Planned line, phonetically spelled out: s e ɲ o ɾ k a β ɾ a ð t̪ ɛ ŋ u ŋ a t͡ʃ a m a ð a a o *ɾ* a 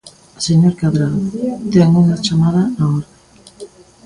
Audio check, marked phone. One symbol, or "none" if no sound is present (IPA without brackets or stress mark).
ɾ